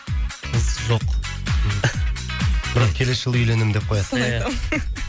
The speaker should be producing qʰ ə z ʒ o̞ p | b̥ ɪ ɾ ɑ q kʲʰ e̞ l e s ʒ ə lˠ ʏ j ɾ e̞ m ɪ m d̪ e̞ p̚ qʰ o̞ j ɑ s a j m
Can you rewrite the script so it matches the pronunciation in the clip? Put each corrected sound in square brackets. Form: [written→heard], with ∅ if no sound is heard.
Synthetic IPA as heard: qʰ ə z ʒ o̞ [p→q] | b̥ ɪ ɾ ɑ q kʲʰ e̞ l e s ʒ ə lˠ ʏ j [ɾ→l] e̞ [m→n] ɪ m d̪ e̞ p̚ qʰ o̞ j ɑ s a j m